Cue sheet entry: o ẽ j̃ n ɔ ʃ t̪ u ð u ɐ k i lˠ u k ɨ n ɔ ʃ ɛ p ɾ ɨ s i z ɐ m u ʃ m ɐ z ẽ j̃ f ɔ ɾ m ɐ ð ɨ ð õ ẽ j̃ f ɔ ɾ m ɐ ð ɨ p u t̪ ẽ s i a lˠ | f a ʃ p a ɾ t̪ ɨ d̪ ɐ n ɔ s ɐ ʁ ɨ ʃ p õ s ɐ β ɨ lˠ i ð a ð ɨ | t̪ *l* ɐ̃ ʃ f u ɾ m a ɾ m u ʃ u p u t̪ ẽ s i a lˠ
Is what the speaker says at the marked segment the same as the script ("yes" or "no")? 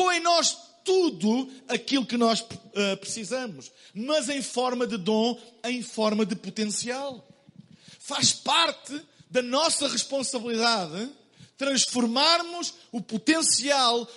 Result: no